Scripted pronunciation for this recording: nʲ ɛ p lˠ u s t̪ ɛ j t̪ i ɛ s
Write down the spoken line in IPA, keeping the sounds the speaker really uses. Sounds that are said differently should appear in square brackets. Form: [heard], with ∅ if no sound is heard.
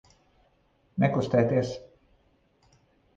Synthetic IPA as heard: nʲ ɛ [k] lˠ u s t̪ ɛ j t̪ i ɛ s